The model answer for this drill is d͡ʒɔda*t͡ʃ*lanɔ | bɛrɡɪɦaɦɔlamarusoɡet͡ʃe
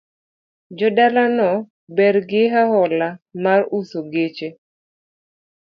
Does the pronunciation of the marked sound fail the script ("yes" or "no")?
yes